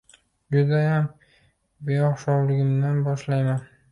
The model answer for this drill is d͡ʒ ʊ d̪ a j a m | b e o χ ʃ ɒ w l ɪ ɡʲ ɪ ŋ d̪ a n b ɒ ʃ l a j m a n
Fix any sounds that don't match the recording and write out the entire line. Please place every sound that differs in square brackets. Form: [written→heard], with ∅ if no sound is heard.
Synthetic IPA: d͡ʒ ʊ d̪ a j a m | b e [o→ɒ] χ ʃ ɒ w l ɪ ɡʲ ɪ [ŋ→m] d̪ a n b ɒ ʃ l a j m a n